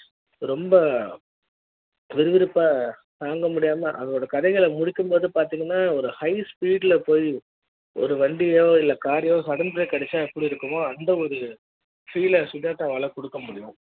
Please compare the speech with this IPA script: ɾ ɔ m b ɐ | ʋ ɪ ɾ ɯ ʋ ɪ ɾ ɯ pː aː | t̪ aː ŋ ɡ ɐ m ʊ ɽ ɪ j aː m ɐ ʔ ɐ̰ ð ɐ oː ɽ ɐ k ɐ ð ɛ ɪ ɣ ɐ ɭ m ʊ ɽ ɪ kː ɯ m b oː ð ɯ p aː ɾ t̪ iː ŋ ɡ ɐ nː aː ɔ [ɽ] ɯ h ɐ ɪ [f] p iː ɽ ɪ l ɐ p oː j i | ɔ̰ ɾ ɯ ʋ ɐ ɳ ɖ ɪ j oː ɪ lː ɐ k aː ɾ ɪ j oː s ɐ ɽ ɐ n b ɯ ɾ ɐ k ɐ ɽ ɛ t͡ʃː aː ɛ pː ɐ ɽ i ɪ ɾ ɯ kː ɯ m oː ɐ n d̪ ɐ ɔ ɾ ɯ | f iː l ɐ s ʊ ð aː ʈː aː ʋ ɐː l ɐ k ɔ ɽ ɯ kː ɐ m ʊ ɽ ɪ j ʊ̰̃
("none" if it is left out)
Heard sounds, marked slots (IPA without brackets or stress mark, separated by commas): ɾ, s